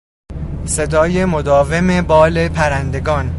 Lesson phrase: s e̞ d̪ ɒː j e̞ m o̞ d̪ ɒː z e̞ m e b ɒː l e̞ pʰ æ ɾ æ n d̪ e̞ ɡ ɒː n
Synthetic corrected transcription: s e̞ d̪ ɒː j e̞ m o̞ d̪ ɒː v e̞ m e b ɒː l e̞ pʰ æ ɾ æ n d̪ e̞ ɡ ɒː n